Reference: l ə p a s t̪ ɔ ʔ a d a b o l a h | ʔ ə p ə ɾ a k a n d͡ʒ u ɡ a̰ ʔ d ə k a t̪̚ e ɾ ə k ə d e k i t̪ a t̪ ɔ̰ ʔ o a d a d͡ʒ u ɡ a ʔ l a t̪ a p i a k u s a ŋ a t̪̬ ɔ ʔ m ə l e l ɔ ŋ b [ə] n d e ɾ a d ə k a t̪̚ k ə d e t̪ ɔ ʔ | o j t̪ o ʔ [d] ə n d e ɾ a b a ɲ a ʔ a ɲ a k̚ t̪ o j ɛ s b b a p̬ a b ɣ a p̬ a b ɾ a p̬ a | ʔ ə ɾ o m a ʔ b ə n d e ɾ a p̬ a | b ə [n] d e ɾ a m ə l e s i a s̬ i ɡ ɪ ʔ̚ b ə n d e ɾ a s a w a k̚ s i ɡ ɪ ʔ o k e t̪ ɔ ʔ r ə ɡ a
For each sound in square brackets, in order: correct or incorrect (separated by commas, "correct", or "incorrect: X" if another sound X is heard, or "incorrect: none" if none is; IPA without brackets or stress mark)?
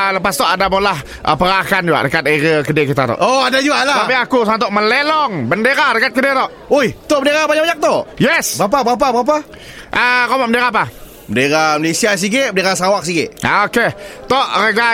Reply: correct, incorrect: b, correct